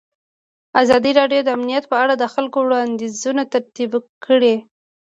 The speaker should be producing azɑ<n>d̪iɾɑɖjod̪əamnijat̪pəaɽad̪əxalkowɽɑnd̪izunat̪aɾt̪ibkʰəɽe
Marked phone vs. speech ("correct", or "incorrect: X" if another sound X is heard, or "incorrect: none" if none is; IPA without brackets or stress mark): incorrect: none